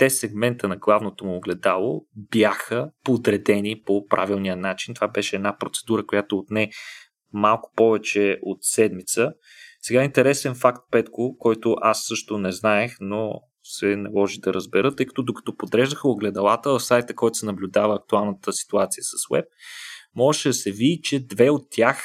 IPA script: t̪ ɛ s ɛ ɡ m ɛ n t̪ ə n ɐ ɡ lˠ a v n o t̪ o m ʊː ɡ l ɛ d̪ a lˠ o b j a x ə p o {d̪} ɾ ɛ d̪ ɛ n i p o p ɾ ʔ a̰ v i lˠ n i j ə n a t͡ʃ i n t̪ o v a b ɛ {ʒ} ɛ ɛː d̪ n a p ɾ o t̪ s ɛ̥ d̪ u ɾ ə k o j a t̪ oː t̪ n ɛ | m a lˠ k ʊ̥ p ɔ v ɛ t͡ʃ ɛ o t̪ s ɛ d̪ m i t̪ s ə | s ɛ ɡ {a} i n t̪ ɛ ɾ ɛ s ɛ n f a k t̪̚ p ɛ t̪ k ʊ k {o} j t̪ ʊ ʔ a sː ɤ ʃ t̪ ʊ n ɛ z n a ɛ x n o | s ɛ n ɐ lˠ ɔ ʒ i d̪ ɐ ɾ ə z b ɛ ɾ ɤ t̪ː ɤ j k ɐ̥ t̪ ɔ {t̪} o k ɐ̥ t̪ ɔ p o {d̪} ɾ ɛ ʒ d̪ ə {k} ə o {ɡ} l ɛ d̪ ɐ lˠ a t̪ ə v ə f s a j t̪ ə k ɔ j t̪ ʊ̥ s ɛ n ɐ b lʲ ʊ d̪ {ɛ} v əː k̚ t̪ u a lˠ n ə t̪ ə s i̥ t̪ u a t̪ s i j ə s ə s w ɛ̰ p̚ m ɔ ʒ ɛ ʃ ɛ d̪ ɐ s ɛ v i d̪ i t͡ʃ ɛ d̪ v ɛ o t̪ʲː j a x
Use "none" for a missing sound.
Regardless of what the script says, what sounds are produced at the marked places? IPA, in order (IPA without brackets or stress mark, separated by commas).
d̪, ʃ, a, ɔ, d̪, d̪, x, ɡ, a